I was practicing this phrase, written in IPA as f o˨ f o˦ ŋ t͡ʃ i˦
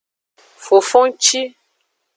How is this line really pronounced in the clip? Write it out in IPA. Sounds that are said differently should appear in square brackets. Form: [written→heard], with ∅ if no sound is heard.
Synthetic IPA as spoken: f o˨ f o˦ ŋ t͡ʃ i˦